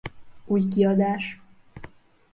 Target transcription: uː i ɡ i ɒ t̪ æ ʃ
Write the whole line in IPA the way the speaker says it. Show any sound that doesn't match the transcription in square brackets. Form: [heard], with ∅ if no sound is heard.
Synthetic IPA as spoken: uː [j] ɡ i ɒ [d̪] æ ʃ